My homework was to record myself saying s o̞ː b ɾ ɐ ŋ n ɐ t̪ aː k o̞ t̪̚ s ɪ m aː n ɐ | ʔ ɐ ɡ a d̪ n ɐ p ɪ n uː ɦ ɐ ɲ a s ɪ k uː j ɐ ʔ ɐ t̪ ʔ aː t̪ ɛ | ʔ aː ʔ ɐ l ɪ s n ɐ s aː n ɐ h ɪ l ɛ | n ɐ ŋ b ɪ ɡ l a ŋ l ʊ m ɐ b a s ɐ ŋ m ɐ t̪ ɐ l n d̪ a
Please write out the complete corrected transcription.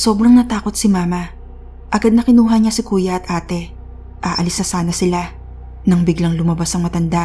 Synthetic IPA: s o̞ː b ɾ ɐ ŋ n ɐ t̪ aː k o̞ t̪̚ s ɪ m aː m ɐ | ʔ ɐ ɡ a d̪ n ɐ k ɪ n uː ɦ ɐ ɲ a s ɪ k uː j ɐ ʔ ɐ t̪ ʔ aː t̪ ɛ | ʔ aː ʔ ɐ l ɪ s n ɐ s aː n ɐ s ɪ l a | n ɐ ŋ b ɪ ɡ l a ŋ l ʊ m ɐ b a s ɐ ŋ m ɐ t̪ ɐ n d̪ a